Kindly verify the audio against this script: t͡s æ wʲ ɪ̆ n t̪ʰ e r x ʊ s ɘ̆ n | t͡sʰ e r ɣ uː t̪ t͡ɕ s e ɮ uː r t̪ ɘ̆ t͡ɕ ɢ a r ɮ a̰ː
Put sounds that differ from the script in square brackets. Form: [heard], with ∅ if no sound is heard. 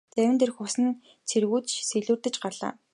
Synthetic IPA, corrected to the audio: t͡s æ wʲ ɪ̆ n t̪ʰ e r x ʊ s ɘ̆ n | t͡sʰ e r ɣ uː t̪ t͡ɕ s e ɮ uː r t̪ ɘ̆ t͡ɕ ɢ a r ɮ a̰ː